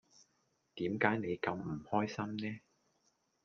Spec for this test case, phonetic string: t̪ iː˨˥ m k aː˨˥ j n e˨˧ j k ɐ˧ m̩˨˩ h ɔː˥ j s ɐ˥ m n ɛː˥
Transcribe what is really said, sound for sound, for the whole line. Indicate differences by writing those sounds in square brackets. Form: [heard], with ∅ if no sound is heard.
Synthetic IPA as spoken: t̪ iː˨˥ m k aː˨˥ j n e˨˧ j k ɐ˧ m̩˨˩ h ɔː˥ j s ɐ˥ m n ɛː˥